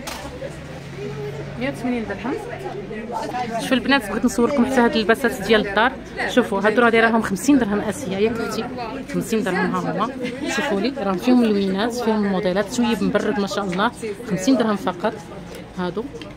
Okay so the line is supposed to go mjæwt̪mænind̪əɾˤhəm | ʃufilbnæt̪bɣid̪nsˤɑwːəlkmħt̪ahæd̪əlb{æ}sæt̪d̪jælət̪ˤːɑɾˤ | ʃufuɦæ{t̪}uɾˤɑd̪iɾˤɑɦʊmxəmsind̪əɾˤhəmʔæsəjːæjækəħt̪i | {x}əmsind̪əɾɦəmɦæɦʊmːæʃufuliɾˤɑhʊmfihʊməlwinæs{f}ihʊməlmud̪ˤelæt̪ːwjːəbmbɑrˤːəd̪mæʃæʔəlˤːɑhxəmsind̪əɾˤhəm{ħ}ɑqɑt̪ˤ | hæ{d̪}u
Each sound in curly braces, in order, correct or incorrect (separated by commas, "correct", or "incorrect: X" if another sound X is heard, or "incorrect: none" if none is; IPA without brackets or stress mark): correct, incorrect: d̪, correct, correct, incorrect: f, correct